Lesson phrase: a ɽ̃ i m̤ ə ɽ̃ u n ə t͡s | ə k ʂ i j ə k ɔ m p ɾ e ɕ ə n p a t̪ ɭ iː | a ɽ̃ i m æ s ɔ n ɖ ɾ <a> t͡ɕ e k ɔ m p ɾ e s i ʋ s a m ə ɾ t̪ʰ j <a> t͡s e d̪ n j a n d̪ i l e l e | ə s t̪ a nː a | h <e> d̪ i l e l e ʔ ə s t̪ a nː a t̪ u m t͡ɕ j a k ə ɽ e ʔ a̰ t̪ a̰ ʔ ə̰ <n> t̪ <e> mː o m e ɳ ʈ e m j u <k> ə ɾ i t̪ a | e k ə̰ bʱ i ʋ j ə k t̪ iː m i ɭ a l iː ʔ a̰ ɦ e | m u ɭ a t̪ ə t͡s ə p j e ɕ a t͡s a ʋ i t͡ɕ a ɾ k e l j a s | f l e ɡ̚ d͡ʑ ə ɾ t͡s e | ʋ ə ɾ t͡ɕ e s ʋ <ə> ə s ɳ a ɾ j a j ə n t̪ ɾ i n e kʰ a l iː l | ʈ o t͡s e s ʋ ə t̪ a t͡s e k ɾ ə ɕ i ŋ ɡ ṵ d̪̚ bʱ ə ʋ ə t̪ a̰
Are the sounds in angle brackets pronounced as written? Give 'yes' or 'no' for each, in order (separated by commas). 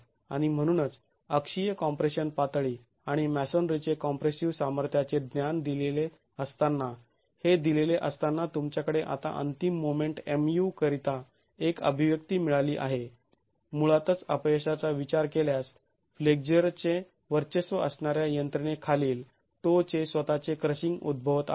no, yes, yes, yes, no, yes, yes